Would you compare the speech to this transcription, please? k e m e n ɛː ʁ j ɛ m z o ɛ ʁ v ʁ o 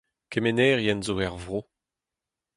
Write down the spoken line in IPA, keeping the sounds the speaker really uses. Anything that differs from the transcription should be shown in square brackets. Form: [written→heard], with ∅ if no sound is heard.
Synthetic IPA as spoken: k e m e n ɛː ʁ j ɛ [m→n] z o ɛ ʁ v ʁ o